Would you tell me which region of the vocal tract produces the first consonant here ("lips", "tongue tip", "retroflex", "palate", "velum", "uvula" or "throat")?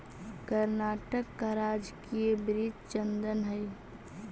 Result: velum